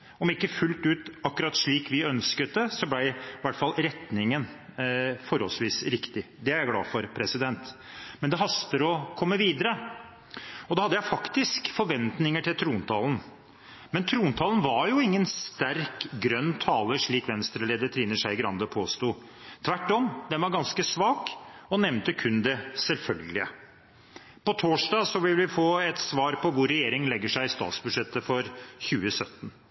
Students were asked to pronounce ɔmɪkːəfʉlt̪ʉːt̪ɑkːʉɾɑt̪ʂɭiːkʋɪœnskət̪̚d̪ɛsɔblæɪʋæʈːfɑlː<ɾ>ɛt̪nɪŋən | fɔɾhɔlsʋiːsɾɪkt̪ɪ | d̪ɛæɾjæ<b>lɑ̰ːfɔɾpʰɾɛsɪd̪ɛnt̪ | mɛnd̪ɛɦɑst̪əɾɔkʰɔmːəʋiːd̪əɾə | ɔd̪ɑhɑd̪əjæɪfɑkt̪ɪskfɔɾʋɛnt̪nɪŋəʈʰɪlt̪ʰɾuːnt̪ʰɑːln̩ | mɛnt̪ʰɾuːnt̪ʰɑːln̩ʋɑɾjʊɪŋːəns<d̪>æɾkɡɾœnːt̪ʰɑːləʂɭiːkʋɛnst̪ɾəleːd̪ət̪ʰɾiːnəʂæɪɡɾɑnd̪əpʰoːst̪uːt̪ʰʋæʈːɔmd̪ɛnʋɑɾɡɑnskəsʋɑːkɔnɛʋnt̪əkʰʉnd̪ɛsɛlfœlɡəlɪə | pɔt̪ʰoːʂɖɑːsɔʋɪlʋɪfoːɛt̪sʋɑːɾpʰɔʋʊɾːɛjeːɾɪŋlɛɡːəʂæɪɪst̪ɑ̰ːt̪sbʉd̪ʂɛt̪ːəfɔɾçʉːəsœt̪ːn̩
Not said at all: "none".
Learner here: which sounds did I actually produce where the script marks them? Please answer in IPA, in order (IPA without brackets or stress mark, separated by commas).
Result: ɾ, ɡ, t̪